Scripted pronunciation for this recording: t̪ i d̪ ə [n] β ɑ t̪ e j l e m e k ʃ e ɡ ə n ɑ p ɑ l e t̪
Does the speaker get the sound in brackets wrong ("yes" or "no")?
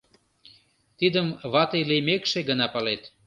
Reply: yes